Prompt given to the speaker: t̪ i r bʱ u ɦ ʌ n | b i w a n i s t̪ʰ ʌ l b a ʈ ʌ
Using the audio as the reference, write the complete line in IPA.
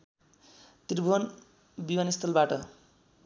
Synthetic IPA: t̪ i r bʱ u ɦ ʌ n | b i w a n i s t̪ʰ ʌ l b a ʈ ʌ